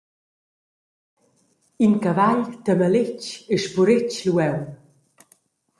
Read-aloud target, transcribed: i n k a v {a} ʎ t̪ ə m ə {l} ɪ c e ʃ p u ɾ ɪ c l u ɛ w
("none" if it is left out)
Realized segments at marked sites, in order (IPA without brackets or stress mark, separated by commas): a, l